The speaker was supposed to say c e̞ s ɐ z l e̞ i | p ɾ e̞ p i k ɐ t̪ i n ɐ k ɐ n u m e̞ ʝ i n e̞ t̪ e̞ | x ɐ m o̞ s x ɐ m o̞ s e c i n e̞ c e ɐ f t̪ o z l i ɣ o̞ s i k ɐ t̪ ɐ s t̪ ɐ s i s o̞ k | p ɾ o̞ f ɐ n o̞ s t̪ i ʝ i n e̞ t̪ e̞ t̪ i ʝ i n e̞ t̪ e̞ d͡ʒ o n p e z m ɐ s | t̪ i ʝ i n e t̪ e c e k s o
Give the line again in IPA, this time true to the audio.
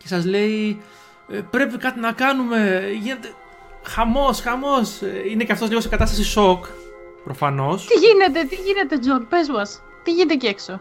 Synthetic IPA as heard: c e̞ s ɐ z l e̞ i | p ɾ e̞ p i k ɐ t̪ i n ɐ k ɐ n u m e̞ ʝ i n e̞ t̪ e̞ | x ɐ m o̞ s x ɐ m o̞ s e i n e̞ c e ɐ f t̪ o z l i ɣ o̞ s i k ɐ t̪ ɐ s t̪ ɐ s i s o̞ k | p ɾ o̞ f ɐ n o̞ s t̪ i ʝ i n e̞ t̪ e̞ t̪ i ʝ i n e̞ t̪ e̞ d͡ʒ o n p e z m ɐ s | t̪ i ʝ i n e t̪ e c e k s o